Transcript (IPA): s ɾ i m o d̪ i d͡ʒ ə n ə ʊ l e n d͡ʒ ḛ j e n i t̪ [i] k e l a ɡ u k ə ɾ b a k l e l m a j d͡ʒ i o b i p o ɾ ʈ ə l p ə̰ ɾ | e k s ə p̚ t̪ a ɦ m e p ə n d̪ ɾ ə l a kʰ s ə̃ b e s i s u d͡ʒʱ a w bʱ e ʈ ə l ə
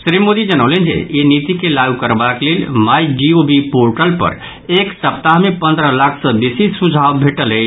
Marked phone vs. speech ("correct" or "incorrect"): correct